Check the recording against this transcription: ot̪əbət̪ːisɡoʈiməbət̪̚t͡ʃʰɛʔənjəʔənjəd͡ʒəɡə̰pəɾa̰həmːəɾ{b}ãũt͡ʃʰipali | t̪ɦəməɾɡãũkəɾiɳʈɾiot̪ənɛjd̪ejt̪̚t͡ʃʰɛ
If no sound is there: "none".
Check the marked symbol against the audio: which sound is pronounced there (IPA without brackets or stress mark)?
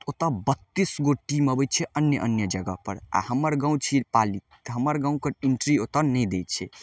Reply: ɡ